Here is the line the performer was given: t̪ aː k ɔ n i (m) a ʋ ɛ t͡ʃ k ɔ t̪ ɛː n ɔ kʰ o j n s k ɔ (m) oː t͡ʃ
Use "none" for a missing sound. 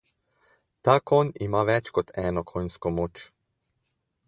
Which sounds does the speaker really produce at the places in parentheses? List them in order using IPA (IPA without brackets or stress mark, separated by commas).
m, m